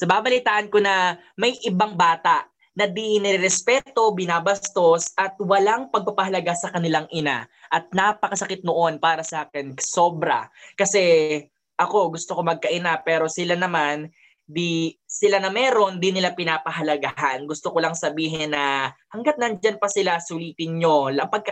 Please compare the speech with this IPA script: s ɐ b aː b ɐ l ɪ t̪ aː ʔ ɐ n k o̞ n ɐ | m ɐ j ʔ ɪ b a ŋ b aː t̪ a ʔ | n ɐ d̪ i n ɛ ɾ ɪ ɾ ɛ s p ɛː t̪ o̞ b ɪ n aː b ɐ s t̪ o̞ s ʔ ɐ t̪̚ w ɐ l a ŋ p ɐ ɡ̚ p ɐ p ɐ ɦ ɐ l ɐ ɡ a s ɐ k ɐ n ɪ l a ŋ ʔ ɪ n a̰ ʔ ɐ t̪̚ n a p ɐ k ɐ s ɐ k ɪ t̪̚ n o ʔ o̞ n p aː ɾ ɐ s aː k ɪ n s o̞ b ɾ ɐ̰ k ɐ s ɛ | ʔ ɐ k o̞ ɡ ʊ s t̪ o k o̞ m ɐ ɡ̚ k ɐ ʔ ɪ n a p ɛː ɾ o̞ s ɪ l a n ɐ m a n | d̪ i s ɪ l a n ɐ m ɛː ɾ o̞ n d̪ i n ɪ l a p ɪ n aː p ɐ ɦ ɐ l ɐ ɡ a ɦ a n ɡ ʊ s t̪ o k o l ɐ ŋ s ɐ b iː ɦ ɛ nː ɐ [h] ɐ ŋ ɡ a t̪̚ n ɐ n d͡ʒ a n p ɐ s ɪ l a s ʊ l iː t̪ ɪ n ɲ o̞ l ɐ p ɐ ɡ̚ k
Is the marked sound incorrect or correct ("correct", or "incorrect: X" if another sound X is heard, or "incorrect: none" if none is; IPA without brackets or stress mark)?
correct